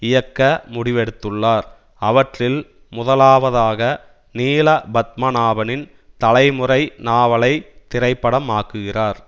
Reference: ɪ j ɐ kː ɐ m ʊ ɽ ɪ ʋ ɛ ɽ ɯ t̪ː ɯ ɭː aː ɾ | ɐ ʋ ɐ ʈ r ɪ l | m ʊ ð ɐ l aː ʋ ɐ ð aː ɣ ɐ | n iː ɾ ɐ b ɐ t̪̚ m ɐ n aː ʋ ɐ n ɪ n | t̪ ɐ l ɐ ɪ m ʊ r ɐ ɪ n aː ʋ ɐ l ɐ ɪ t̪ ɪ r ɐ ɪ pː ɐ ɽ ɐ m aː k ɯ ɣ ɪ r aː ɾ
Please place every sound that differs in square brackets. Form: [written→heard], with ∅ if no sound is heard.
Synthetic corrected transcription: ɪ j ɐ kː ɐ m ʊ ɽ ɪ ʋ ɛ ɽ ɯ t̪ː ɯ ɭː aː ɾ | ɐ ʋ ɐ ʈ r ɪ l | m ʊ ð ɐ l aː ʋ ɐ ð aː ɣ ɐ | n iː [ɾ→l] ɐ b ɐ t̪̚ m ɐ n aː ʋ ɐ n ɪ n | t̪ ɐ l ɐ ɪ m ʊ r ɐ ɪ n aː ʋ ɐ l ɐ ɪ t̪ ɪ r ɐ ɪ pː ɐ ɽ ɐ m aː k ɯ ɣ ɪ r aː ɾ